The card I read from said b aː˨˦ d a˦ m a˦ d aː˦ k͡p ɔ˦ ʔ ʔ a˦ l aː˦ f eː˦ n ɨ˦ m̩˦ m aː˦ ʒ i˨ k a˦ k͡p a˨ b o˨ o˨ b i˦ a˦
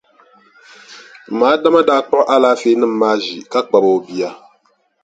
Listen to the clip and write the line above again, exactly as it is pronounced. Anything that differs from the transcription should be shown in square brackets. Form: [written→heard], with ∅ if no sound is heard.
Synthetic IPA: [b→m] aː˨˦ d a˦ m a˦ d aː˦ k͡p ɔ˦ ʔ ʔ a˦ l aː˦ f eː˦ n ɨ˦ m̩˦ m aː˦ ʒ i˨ k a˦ k͡p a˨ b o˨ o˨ b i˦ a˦